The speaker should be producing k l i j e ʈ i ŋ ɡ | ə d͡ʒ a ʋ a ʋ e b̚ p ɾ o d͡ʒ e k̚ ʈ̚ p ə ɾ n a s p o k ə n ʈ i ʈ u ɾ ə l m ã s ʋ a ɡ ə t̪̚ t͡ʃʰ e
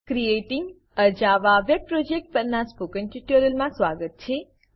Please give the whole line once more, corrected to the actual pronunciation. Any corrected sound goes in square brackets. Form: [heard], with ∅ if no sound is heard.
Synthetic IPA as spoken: k [ɾ] i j e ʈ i ŋ ɡ | ə d͡ʒ a ʋ a ʋ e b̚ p ɾ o d͡ʒ e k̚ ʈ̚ p ə ɾ n a s p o k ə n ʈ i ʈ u ɾ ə l m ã s ʋ a ɡ ə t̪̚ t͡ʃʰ e